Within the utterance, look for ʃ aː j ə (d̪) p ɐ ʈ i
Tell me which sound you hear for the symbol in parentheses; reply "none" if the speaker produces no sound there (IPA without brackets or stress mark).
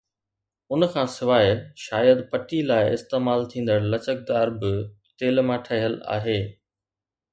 d̪